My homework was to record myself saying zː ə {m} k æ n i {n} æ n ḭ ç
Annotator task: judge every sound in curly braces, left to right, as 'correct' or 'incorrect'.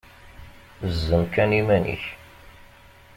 correct, incorrect

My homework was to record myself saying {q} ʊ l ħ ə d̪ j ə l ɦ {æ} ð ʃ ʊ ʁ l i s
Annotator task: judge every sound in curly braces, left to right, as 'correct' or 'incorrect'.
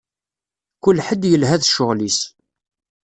incorrect, correct

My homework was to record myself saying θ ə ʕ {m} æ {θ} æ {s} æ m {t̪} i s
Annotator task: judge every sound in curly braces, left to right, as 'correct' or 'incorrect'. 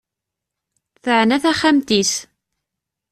incorrect, correct, incorrect, correct

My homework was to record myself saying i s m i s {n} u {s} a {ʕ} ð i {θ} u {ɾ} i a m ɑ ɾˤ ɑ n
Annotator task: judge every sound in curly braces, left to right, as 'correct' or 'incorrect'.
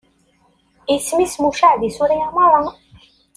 incorrect, incorrect, correct, incorrect, correct

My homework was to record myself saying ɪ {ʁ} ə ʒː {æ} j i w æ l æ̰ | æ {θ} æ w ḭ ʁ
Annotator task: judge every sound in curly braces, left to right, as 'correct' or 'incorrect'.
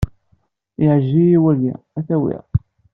incorrect, incorrect, correct

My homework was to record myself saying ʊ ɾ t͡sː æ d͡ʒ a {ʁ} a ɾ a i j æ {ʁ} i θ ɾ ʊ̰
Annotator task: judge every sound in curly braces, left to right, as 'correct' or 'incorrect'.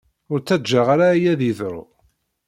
correct, incorrect

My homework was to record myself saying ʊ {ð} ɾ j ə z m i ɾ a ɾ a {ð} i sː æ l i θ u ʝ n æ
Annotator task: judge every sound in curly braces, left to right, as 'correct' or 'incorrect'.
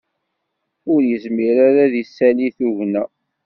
incorrect, correct

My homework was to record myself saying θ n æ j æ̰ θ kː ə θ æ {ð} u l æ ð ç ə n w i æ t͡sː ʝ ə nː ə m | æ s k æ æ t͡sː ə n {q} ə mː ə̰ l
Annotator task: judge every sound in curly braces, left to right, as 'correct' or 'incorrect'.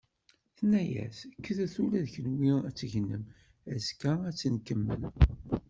incorrect, incorrect

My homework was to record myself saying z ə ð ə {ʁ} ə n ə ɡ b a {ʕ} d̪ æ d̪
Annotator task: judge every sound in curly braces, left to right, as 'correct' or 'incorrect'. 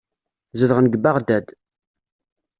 correct, incorrect

